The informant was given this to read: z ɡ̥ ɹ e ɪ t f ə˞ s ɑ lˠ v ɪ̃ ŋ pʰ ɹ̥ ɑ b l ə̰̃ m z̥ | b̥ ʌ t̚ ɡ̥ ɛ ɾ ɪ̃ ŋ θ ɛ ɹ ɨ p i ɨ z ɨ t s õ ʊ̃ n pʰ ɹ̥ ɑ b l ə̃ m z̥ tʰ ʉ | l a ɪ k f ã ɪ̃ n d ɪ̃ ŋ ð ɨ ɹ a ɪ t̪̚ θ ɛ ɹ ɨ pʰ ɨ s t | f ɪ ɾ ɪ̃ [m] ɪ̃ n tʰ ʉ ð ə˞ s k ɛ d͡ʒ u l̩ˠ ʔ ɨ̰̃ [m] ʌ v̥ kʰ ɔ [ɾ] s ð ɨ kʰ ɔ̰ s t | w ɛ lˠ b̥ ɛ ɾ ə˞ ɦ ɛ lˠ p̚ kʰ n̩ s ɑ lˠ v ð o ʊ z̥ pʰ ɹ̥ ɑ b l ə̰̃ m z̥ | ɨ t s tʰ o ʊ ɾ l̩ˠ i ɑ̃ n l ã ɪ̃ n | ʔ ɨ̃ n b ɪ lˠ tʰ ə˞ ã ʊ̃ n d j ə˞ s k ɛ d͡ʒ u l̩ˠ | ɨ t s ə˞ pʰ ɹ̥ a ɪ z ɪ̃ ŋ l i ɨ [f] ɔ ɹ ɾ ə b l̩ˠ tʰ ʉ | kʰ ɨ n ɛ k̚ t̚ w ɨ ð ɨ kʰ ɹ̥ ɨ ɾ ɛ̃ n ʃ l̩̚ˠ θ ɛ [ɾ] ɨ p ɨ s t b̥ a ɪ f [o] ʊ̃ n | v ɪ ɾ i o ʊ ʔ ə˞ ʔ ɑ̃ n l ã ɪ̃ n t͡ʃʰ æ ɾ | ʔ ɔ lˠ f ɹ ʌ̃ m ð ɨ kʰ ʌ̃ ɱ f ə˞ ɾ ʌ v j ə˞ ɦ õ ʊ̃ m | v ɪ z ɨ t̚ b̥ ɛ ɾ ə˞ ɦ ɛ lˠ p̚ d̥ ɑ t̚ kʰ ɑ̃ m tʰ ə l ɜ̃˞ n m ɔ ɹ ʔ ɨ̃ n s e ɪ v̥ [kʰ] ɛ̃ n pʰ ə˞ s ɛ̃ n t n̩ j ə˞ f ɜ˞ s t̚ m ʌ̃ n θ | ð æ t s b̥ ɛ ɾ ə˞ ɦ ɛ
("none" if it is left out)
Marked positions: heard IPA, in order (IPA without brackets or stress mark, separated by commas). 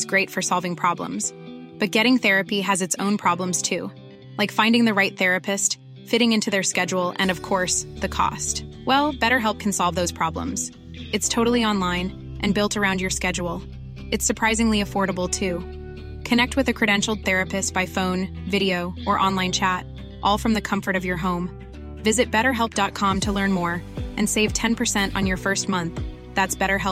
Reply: ŋ, n, ɹ, f, ɹ, õ, tʰ